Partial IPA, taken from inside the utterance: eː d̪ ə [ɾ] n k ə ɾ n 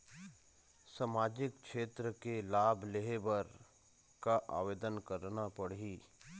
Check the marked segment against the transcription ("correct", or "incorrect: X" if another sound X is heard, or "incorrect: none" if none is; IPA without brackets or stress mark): incorrect: none